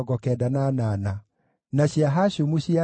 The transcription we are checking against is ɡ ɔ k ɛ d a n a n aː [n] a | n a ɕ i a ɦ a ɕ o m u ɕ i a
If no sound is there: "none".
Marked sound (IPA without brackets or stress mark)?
n